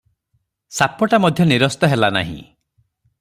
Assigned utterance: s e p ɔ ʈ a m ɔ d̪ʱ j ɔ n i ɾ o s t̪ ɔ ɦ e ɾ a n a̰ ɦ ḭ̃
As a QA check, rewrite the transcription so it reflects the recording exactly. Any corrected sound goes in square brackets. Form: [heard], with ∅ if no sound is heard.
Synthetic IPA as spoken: s [a] p ɔ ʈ a m ɔ d̪ʱ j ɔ n i ɾ [ɔ] s t̪ ɔ ɦ e [l] a n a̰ ɦ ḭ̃